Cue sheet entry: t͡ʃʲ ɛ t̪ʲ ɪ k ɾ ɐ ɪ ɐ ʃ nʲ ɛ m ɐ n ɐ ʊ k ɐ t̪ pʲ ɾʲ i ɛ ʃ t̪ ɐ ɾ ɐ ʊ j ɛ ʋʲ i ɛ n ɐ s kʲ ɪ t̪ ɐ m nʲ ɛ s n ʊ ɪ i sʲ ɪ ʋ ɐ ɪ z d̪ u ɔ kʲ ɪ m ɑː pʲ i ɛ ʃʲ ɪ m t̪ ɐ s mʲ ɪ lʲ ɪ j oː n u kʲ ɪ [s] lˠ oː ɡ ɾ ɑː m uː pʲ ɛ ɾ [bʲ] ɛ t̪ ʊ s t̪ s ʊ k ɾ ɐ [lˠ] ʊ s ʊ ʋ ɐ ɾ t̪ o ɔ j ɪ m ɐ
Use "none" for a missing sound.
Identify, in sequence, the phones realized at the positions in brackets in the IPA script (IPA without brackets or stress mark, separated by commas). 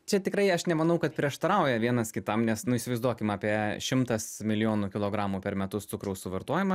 none, mʲ, none